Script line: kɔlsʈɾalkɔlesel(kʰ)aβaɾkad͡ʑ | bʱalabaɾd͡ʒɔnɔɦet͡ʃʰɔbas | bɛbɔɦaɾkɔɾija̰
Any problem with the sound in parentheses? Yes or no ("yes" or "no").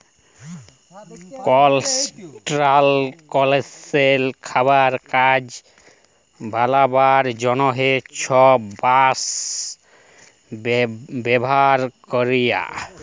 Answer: no